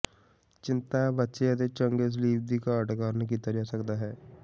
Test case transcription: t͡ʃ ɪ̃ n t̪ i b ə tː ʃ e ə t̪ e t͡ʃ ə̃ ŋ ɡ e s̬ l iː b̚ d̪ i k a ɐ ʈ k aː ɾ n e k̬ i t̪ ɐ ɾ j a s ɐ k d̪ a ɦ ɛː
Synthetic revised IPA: t͡ʃ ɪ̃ n t̪ a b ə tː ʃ e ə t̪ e t͡ʃ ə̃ ŋ ɡ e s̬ l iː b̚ d̪ i k a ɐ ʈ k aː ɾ n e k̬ i t̪ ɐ ɾ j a s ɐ k d̪ a ɦ ɛː